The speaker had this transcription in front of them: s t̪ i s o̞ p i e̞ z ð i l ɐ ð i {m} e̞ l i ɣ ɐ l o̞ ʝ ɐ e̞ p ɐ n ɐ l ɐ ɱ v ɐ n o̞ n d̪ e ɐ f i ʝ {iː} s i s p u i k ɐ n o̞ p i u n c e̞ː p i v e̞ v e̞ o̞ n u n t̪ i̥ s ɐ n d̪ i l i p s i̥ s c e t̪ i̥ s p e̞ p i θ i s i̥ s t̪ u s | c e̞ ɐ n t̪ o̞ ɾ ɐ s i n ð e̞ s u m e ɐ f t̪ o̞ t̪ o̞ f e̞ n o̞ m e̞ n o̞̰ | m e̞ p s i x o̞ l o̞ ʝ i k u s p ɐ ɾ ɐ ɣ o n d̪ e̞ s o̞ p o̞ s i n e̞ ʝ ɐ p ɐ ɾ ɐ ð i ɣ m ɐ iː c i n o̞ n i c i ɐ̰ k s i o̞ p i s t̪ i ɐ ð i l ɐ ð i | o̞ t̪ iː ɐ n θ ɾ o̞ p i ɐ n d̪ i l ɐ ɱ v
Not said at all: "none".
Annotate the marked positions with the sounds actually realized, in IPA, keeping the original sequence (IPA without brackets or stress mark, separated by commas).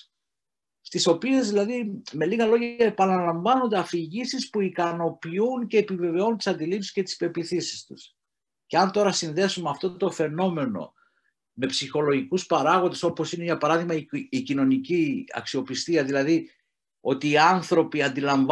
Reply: m, i